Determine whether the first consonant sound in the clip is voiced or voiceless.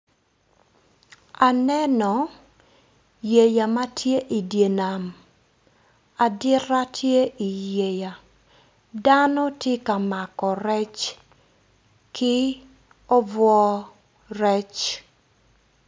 voiced